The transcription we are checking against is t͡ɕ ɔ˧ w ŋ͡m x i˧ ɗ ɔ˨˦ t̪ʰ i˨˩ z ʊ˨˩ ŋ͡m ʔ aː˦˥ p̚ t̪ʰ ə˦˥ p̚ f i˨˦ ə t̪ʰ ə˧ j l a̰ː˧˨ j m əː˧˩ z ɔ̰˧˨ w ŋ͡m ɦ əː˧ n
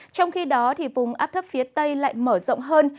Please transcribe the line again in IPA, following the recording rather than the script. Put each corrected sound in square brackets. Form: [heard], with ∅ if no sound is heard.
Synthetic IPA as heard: t͡ɕ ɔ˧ w ŋ͡m x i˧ ɗ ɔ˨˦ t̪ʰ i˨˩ [v] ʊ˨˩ ŋ͡m ʔ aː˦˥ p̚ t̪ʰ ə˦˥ p̚ f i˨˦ ə [t̪] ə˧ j l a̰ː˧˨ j m əː˧˩ z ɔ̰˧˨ w ŋ͡m ɦ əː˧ n